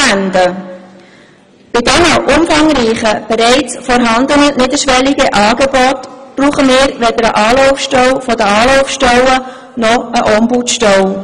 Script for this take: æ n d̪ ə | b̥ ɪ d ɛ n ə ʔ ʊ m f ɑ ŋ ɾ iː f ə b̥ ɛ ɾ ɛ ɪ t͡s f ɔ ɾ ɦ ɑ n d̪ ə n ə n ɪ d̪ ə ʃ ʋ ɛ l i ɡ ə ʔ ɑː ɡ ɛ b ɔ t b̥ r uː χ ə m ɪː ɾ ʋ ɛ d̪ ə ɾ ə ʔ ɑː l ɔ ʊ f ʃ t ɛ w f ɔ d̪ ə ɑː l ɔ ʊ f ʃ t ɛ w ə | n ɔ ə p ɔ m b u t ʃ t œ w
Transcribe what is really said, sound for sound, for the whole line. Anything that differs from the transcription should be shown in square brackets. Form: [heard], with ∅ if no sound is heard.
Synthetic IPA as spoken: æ n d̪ ə | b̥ ɪ d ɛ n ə ʔ ʊ m f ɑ ŋ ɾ iː [χ] ə b̥ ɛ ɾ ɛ ɪ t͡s f ɔ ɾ ɦ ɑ n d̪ ə n ə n ɪ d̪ ə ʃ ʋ ɛ l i ɡ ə ʔ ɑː ɡ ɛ b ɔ t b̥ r uː χ ə m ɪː ɾ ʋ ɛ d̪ ə ɾ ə ʔ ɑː l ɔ ʊ f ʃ t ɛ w f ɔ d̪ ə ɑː l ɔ ʊ f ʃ t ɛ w ə | n ɔ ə [ʔ] ɔ m b u t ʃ t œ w